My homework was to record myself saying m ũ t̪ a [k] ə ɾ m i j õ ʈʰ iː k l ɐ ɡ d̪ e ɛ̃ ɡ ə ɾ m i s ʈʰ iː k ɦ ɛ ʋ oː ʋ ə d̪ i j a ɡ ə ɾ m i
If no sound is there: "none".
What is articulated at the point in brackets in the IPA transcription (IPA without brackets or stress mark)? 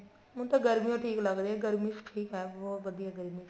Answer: ɡ